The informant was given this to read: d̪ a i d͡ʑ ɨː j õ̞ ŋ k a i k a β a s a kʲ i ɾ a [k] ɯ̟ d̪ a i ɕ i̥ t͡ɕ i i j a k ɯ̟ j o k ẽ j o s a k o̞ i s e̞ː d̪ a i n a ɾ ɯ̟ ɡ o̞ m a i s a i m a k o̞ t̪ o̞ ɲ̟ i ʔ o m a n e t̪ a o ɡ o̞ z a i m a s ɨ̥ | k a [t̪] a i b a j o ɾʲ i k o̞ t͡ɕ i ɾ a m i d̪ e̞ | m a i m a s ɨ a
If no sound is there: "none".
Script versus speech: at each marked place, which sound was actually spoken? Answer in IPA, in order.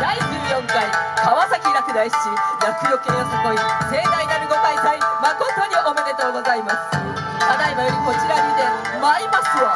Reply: k, d̪

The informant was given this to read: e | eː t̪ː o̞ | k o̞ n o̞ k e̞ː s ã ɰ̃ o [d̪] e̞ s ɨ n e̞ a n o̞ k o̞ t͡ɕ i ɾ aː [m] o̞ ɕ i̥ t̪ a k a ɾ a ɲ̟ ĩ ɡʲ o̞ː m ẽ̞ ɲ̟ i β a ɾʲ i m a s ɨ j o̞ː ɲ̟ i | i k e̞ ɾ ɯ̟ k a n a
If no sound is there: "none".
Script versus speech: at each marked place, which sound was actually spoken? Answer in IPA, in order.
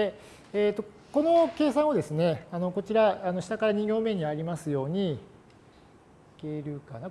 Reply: d̪, n

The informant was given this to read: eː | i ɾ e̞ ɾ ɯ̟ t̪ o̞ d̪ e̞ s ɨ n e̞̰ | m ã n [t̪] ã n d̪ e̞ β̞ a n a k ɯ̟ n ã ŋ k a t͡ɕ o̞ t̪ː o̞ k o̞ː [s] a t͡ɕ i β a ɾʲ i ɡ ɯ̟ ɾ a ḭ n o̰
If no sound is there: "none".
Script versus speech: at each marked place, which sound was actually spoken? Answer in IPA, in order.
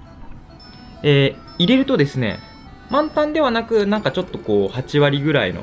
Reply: t̪, h

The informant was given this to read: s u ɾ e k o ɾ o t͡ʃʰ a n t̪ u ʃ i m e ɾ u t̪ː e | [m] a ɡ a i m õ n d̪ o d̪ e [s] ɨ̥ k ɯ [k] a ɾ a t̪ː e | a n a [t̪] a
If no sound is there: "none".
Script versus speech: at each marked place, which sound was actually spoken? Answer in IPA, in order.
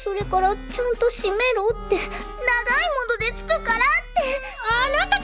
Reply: n, t͡s, k, t̪

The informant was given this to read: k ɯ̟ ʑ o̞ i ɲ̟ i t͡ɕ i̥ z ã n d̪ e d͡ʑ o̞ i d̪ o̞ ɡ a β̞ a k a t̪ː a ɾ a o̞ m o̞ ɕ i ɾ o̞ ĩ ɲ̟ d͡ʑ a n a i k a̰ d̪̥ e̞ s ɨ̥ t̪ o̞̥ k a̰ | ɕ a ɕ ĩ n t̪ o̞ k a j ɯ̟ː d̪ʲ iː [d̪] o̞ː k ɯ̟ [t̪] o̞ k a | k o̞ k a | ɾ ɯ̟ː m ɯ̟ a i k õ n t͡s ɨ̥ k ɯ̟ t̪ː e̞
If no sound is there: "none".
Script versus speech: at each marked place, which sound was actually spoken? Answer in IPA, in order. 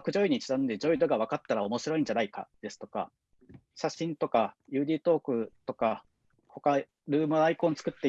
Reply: t̪, t̪

